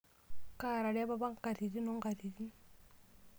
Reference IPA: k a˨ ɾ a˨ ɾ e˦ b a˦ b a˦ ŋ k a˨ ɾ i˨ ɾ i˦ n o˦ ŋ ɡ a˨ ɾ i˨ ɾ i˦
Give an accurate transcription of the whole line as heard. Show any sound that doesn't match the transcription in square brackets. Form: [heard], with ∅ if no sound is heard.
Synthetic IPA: k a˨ ɾ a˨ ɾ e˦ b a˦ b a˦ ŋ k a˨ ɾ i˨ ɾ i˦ n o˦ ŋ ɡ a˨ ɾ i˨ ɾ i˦